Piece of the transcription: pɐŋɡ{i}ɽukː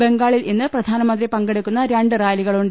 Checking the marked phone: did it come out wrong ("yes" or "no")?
yes